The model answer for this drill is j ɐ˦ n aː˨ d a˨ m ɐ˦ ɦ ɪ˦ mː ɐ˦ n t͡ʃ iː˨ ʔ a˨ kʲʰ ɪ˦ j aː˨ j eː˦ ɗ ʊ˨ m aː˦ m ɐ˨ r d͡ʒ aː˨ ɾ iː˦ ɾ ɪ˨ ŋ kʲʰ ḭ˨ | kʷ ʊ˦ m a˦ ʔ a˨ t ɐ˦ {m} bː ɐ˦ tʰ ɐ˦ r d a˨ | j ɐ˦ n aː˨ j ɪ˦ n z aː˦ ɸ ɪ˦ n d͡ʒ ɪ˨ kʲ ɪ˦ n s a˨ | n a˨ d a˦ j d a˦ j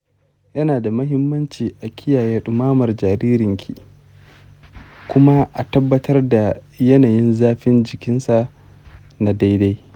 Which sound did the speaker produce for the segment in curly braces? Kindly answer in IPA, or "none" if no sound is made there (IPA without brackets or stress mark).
none